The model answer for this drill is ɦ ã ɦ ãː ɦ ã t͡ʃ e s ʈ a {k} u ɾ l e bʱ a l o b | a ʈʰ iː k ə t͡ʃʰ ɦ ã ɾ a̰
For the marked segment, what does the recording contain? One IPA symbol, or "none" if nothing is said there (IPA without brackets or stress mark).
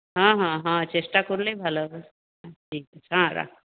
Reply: k